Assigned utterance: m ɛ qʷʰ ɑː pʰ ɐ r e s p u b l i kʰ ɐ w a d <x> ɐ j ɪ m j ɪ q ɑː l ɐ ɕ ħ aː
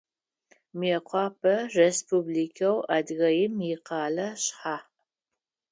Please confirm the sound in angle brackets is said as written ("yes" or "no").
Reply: no